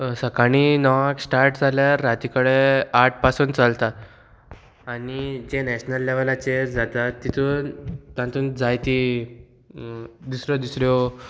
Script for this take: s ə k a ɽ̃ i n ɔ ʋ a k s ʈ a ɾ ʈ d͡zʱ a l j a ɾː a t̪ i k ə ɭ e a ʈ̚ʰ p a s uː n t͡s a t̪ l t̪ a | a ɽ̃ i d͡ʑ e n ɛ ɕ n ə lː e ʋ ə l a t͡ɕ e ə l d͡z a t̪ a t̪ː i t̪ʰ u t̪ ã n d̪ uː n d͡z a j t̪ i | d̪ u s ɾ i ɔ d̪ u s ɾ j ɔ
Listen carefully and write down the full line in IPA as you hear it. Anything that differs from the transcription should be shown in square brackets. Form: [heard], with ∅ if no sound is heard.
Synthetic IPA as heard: s ə k a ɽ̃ i n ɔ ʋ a k s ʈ a ɾ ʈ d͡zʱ a l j a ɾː a t̪ i k ə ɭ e a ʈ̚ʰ p a s uː n t͡s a [∅] l t̪ a | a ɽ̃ i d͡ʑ e n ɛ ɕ n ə lː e ʋ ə l a t͡ɕ e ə [ɾ] d͡z a t̪ a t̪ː i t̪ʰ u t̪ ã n [t̪] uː n d͡z a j t̪ i | d̪ u s ɾ [j] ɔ d̪ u s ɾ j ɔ